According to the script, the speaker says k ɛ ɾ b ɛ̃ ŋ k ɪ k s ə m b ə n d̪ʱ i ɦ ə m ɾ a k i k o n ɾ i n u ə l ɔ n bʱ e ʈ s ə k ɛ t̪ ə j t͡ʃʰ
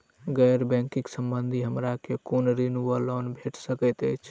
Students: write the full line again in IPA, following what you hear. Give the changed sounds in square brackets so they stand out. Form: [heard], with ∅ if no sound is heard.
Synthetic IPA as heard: [ɡ] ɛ ɾ b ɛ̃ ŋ k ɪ k s ə m b ə n d̪ʱ i ɦ ə m ɾ a k [e] k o n ɾ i n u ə l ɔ n bʱ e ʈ s ə k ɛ t̪ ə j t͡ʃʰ